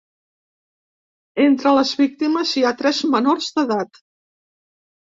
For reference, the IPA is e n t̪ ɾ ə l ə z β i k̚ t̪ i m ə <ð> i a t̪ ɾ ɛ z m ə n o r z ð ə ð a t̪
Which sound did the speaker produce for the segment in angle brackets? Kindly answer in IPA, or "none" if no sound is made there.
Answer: z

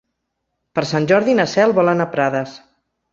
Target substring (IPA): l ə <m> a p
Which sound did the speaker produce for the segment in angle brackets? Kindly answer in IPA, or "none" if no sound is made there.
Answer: n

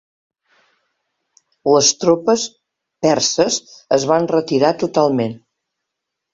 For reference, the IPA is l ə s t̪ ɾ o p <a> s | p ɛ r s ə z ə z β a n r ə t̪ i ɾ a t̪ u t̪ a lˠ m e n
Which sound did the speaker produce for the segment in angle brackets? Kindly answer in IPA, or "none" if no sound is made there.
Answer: ə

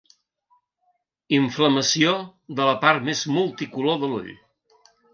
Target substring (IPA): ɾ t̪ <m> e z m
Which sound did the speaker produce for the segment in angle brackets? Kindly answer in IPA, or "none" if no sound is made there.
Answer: m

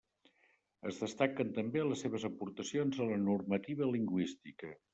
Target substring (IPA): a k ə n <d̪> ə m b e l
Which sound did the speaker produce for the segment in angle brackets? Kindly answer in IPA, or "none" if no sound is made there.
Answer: t̪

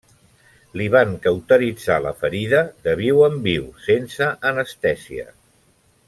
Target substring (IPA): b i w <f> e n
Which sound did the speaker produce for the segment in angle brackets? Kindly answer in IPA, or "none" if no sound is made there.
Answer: s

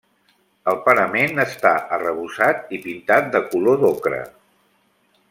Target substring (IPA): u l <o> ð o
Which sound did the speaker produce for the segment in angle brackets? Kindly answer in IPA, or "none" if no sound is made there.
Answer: o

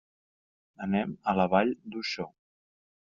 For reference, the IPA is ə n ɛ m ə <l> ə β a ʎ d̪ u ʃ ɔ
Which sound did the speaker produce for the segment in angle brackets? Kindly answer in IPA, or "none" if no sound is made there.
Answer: l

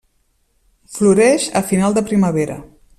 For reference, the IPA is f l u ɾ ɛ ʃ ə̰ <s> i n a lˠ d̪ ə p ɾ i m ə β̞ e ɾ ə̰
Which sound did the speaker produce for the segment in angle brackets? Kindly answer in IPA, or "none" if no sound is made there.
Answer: f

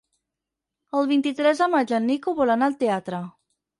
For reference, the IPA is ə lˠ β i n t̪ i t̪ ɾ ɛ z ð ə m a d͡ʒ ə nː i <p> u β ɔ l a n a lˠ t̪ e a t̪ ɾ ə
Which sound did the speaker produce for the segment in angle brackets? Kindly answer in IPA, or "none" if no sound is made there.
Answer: k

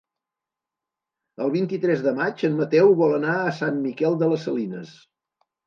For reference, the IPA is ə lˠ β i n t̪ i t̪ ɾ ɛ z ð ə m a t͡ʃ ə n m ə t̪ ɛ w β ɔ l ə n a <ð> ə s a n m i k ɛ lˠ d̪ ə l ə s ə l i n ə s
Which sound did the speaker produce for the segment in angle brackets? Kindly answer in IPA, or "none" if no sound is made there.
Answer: none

